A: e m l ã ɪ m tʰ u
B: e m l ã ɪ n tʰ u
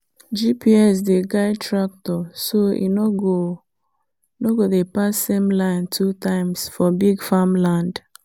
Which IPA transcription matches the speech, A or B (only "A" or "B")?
B